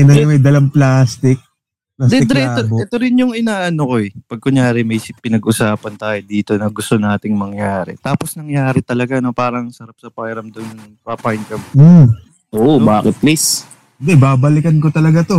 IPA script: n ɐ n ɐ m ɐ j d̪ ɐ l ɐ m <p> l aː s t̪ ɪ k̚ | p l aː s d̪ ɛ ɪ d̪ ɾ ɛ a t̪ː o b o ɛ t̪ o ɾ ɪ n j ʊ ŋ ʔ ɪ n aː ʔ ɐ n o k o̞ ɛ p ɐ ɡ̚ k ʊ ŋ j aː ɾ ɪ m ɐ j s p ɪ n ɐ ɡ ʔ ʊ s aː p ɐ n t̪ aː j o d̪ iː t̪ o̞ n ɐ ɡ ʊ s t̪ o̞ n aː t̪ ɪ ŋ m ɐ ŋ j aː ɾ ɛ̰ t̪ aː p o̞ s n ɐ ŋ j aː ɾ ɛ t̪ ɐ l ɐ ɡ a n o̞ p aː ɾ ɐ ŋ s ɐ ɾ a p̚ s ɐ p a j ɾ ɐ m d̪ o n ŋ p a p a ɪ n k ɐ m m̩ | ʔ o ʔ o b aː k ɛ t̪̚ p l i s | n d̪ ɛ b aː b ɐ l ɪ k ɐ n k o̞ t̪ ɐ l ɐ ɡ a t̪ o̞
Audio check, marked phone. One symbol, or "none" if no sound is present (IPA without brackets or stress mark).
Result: p